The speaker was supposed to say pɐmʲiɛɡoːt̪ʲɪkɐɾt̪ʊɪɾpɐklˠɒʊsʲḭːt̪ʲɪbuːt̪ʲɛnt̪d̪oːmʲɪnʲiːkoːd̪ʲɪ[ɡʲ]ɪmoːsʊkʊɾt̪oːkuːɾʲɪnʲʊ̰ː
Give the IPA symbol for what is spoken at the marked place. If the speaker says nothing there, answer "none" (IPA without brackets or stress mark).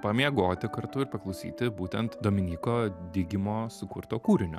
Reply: ɡʲ